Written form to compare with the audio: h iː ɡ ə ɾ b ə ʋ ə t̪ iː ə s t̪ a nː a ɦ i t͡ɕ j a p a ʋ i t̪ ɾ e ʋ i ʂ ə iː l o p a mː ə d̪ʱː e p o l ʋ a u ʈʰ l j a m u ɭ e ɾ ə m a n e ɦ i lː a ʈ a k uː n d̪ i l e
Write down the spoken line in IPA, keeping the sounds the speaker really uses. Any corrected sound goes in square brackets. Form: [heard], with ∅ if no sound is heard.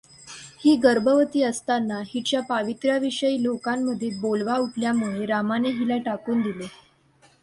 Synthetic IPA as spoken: h iː ɡ ə ɾ b ə ʋ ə t̪ iː ə s t̪ a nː a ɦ i t͡ɕ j a p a ʋ i t̪ ɾ [a] ʋ i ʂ ə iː l o [k] a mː ə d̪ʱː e [b] o l ʋ a u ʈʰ l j a m u ɭ e ɾ [a] m a n e ɦ i [l] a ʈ a k uː n d̪ i l e